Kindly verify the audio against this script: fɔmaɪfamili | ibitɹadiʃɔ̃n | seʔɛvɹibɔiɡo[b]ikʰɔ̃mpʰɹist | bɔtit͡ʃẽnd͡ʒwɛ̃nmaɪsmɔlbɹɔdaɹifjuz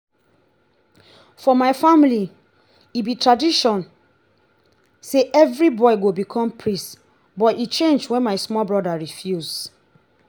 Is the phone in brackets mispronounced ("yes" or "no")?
no